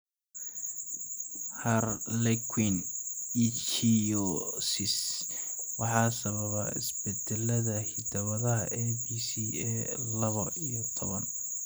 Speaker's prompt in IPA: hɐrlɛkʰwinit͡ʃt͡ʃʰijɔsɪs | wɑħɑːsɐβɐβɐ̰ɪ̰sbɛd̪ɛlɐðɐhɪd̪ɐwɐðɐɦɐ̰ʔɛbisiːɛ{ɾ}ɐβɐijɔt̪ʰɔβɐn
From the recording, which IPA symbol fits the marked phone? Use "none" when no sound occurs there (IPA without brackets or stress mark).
l